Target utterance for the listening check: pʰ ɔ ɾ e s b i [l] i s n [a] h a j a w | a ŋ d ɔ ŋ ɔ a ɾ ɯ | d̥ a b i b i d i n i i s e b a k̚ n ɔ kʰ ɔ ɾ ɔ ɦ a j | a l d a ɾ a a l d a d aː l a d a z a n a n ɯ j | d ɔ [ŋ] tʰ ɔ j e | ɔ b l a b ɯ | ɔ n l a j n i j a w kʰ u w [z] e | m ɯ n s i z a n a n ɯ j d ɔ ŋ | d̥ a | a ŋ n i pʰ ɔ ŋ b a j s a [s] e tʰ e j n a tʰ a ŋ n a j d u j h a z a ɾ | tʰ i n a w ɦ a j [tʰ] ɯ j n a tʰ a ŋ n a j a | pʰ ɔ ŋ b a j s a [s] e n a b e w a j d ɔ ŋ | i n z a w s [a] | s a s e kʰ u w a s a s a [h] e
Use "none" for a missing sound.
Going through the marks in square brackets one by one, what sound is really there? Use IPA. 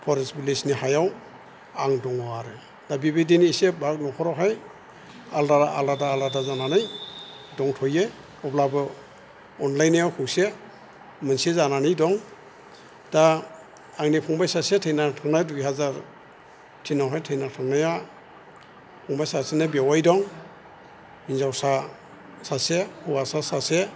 l, i, ŋ, s, s, tʰ, s, a, s

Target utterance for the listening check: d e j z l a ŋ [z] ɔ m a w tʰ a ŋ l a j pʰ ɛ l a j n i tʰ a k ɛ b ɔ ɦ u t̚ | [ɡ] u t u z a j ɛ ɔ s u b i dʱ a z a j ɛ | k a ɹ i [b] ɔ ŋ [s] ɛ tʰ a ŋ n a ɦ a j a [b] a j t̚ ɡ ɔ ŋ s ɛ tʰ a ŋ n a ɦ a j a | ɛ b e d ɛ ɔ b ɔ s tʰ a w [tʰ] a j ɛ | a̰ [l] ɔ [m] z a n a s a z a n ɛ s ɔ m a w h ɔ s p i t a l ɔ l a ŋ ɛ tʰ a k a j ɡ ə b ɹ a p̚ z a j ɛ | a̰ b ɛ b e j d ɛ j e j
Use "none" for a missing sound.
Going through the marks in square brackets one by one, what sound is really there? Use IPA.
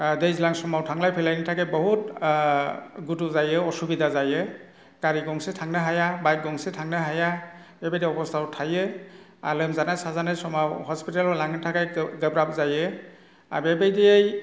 s, ɡ, ɡ, s, b, tʰ, l, m

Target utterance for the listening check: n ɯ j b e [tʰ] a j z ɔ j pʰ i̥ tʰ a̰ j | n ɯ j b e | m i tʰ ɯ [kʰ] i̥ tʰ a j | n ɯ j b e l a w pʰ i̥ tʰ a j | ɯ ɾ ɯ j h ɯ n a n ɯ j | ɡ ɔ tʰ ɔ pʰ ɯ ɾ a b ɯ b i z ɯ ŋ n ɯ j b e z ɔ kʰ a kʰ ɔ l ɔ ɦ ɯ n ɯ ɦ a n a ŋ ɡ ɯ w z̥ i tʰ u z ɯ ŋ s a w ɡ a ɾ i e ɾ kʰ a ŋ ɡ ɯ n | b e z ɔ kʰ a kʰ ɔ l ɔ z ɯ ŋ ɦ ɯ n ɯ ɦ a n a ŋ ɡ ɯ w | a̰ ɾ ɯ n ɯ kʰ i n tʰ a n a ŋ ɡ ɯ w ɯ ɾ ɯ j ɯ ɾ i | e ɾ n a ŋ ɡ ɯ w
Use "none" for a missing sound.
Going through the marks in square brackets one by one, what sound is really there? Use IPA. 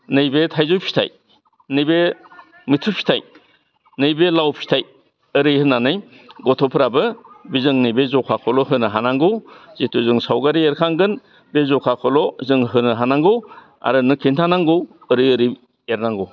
tʰ, pʰ

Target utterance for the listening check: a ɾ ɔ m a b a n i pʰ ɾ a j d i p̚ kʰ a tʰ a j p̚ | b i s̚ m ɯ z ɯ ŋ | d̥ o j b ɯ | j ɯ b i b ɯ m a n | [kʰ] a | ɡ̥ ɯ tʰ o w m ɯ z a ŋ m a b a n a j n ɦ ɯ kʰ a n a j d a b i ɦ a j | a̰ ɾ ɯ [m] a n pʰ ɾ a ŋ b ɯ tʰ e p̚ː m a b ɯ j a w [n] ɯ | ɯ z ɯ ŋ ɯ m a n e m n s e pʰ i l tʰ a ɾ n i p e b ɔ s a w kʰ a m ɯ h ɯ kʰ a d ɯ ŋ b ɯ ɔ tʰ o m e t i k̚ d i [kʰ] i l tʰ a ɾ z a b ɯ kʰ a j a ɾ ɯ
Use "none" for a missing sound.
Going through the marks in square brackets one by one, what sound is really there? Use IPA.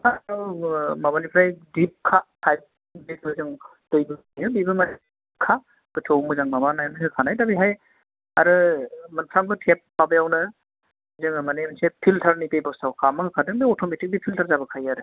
kʰ, m, n, pʰ

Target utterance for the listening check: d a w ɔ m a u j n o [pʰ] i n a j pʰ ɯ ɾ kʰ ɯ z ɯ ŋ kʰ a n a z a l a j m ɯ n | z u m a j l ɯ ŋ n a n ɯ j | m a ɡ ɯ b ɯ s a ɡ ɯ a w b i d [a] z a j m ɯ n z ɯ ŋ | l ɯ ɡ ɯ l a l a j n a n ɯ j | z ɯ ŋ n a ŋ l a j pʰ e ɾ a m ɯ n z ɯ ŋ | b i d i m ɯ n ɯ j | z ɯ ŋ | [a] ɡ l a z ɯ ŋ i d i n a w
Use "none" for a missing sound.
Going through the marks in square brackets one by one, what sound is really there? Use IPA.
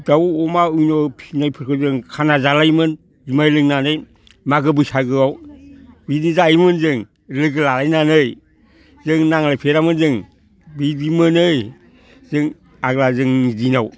pʰ, i, a

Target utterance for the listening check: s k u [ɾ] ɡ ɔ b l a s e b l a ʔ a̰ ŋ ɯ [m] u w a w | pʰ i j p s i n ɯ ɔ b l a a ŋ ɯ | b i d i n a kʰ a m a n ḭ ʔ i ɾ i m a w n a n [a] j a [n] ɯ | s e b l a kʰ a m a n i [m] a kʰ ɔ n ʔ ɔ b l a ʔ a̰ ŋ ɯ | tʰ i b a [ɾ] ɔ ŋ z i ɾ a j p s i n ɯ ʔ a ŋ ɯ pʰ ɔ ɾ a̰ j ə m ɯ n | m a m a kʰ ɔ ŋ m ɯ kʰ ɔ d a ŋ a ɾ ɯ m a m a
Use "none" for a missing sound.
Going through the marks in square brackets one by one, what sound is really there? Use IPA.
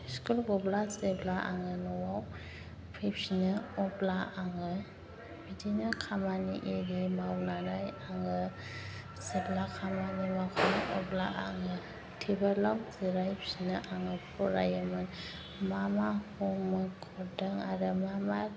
l, n, a, ŋ, m, l

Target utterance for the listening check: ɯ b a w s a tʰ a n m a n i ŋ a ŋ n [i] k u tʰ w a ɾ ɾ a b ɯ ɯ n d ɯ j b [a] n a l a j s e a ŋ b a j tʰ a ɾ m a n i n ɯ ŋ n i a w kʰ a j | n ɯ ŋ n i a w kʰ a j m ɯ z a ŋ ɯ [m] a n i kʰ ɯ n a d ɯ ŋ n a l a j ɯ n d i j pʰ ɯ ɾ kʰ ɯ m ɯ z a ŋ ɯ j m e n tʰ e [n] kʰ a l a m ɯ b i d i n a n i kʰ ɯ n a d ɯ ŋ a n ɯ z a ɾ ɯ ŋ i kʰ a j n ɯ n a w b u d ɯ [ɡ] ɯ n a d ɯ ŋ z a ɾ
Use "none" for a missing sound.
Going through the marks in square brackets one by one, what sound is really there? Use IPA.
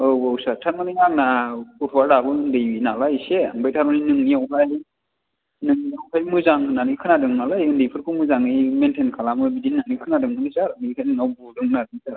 a, i, n, n, ŋ

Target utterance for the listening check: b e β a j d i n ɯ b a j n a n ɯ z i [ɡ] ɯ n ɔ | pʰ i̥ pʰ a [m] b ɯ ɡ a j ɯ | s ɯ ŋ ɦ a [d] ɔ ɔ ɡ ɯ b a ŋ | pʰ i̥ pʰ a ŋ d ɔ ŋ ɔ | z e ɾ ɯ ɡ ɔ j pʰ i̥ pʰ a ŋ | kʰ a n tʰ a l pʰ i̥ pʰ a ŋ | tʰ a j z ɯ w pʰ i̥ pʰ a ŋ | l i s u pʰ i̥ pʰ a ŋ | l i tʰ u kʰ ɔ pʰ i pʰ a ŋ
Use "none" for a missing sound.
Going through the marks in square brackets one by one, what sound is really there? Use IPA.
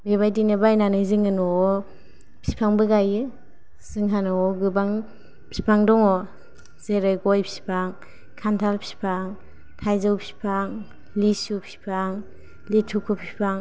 ŋ, ŋ, n

